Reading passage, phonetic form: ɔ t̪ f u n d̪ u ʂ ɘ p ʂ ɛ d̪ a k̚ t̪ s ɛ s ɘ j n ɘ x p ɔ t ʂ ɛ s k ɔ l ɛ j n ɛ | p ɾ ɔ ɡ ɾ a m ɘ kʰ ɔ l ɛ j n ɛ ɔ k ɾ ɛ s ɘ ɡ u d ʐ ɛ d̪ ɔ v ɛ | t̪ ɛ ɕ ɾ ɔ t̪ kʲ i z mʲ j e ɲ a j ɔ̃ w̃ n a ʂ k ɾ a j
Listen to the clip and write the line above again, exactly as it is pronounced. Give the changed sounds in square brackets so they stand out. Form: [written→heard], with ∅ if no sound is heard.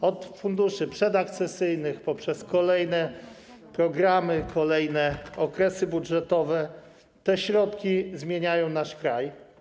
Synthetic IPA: ɔ t̪ f u n d̪ u ʂ ɘ p ʂ ɛ d̪ a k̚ t̪ s ɛ s ɘ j n ɘ x p ɔ [t→p] ʂ ɛ s k ɔ l ɛ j n ɛ | p ɾ ɔ ɡ ɾ a m ɘ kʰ ɔ l ɛ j n ɛ ɔ k ɾ ɛ s ɘ [ɡ→b] u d ʐ ɛ [d̪→t̪] ɔ v ɛ | t̪ ɛ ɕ ɾ ɔ t̪ kʲ i z mʲ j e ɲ a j ɔ̃ w̃ n a ʂ k ɾ a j